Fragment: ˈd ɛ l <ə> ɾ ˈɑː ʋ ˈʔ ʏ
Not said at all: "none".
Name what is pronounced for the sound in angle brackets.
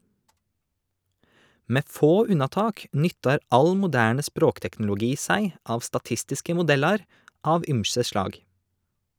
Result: ɑ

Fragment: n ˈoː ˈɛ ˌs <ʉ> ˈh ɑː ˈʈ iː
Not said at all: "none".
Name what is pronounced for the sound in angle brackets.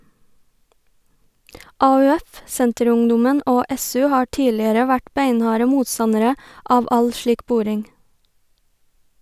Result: ʉː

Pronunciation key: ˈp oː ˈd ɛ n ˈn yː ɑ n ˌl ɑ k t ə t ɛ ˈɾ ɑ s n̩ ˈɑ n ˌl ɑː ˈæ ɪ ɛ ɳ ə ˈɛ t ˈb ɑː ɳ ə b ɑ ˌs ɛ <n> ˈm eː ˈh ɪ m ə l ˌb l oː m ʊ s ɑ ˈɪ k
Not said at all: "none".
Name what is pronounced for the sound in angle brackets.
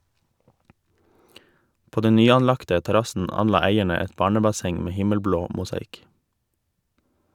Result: ŋ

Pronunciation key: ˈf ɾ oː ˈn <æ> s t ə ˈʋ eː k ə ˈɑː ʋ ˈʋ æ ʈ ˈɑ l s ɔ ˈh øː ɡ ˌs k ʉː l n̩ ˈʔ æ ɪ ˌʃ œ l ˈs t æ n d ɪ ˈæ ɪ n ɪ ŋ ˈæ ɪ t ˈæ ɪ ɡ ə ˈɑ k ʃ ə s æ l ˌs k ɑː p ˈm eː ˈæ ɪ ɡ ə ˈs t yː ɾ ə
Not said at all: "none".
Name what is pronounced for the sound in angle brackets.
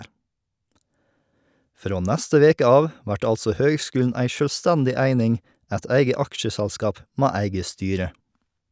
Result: æ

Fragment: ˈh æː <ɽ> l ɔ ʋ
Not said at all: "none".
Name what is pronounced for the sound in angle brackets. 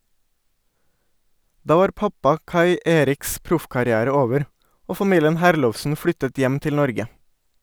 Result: ɾ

